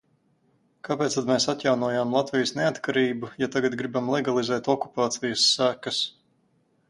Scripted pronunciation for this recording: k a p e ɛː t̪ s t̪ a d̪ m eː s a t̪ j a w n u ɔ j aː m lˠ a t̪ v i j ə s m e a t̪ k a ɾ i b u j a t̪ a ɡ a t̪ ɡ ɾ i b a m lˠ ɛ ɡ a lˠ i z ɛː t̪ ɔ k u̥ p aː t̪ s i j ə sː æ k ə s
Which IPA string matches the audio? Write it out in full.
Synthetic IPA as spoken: k a p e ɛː t̪ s t̪ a d̪ m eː s a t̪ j a w n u ɔ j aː m lˠ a t̪ v i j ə s n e a t̪ k a ɾ iː b u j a t̪ a ɡ a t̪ ɡ ɾ i b a m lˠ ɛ ɡ a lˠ i z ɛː t̪ ɔ k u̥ p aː t̪ s i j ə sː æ k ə s